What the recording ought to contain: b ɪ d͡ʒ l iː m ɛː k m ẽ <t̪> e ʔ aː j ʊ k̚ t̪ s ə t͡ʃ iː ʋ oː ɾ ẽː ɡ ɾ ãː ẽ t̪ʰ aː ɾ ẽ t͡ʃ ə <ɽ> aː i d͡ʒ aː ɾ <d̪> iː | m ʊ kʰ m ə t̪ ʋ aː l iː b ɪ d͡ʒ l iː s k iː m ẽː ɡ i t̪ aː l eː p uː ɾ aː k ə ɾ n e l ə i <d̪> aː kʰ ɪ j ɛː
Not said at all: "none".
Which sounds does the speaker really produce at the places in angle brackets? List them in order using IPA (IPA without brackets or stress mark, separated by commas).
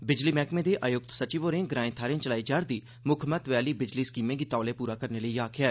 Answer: d̪, l, d̪, none